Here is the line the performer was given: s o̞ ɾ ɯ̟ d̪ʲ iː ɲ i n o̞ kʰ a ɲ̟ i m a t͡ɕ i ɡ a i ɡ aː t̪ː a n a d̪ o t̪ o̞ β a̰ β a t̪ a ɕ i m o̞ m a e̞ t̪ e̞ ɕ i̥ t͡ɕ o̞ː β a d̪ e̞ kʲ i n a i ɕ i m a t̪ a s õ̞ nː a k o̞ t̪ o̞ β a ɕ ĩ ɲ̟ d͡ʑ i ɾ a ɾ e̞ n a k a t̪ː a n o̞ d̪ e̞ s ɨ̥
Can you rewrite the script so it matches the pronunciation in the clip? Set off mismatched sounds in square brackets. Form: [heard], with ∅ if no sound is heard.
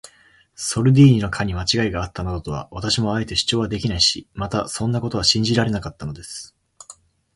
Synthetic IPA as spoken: s o̞ ɾ ɯ̟ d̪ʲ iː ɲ i n o̞ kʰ a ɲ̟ i m a t͡ɕ i ɡ a i ɡ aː t̪ː a n a d̪ o t̪ o̞ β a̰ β a t̪ a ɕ i m o̞ [∅] a e̞ t̪ e̞ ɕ i̥ t͡ɕ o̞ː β a d̪ e̞ kʲ i n a i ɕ i m a t̪ a s õ̞ nː a k o̞ t̪ o̞ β a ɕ ĩ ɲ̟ d͡ʑ i ɾ a ɾ e̞ n a k a t̪ː a n o̞ d̪ e̞ s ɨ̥